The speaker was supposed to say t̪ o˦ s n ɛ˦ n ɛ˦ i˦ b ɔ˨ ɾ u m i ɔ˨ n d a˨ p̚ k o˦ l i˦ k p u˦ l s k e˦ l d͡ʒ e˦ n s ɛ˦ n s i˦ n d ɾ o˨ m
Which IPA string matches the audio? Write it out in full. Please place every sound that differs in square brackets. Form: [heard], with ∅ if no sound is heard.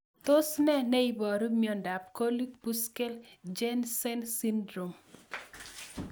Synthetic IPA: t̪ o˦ s n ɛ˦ n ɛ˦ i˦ b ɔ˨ ɾ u m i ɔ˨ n d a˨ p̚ k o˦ l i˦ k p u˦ [∅] s k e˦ l d͡ʒ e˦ n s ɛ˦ n s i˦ n d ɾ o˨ m